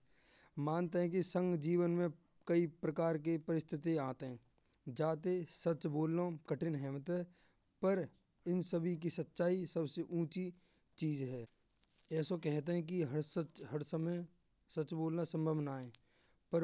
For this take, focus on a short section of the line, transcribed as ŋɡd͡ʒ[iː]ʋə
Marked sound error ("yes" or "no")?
no